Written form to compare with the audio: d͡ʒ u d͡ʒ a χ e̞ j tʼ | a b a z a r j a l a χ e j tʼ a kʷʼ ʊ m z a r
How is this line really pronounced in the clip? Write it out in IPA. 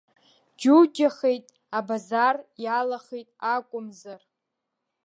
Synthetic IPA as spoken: d͡ʒ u d͡ʒ a χ e̞ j tʼ | a b a z a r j a l a χ e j tʼ a kʷʼ ʊ m z a r